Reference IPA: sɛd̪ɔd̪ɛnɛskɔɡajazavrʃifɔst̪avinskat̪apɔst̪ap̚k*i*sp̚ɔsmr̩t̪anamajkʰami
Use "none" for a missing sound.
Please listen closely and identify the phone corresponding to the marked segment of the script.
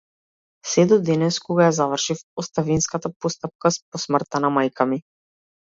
a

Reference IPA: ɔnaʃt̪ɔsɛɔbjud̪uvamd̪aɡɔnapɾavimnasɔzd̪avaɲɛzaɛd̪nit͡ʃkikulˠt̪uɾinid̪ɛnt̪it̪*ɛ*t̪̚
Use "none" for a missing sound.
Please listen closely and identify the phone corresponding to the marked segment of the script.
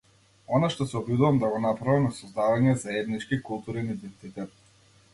ɛ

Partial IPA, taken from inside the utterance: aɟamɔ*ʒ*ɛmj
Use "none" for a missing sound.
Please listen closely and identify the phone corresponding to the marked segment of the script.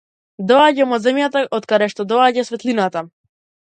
z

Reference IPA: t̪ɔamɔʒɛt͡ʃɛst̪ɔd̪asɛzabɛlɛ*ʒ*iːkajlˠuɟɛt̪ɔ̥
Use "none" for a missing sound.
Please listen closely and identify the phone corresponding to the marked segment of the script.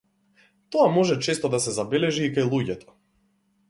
ʒ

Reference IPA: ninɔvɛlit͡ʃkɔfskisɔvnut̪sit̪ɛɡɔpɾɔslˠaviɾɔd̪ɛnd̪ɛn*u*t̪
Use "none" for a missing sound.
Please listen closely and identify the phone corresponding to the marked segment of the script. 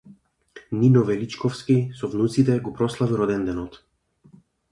ɔ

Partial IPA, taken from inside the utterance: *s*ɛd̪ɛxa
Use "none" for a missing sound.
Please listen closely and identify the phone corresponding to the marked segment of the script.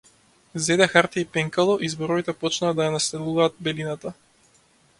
z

